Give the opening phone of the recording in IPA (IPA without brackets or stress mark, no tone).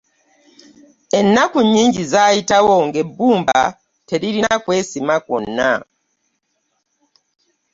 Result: e̞